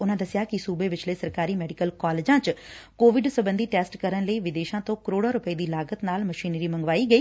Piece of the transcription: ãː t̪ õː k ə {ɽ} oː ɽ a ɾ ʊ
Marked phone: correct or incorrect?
incorrect